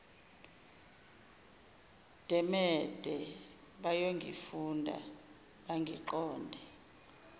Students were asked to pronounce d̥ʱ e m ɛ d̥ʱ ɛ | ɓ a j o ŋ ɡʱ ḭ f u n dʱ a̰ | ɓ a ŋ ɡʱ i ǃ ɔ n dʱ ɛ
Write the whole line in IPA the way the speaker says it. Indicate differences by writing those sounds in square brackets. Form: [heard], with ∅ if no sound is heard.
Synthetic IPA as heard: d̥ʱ [ɛ] m ɛ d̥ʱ ɛ | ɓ a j o ŋ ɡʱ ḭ f u n dʱ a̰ | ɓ a ŋ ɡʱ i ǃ [ɔː] n dʱ ɛ